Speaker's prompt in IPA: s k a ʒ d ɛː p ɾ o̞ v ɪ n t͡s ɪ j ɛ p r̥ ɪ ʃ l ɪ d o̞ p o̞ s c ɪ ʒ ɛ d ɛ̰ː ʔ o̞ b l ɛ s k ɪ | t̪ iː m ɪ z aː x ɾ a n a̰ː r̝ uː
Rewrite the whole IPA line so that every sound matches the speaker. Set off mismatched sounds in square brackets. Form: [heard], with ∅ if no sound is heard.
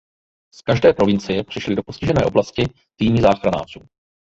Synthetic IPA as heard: s k a ʒ d ɛː p ɾ o̞ v ɪ n t͡s ɪ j ɛ p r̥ ɪ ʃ l ɪ d o̞ p o̞ s c ɪ ʒ ɛ [n] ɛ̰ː ʔ o̞ b l [a] s [c] ɪ | t̪ iː m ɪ z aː x ɾ a n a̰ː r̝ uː